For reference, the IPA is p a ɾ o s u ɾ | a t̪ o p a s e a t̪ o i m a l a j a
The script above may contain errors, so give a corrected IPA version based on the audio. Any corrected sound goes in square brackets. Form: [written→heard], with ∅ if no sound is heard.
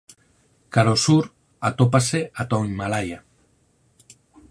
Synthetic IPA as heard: [p→k] a ɾ o s u ɾ | a t̪ o p a s e a t̪ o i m a l a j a